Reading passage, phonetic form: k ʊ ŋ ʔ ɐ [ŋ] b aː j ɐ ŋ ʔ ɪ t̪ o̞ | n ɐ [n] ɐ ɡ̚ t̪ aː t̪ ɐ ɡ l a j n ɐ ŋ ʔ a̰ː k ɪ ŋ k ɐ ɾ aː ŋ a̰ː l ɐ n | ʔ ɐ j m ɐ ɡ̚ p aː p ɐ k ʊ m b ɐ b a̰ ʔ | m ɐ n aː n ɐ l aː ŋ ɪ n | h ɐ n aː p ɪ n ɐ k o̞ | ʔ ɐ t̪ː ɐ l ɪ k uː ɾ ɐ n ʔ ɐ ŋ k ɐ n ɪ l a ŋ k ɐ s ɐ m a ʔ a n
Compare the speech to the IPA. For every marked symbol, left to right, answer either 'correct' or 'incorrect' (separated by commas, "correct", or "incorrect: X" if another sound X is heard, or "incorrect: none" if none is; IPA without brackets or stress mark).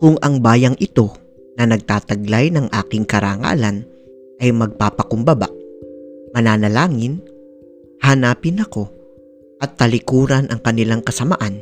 correct, correct